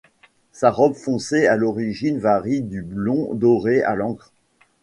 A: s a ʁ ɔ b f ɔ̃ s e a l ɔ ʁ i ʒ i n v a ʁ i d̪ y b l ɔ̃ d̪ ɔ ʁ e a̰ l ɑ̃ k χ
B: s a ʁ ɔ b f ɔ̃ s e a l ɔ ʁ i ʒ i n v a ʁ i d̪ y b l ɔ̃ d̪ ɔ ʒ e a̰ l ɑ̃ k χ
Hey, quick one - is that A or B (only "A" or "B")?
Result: A